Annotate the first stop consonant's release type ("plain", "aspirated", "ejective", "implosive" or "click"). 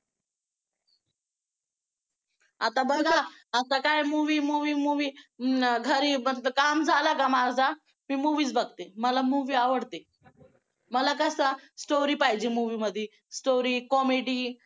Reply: plain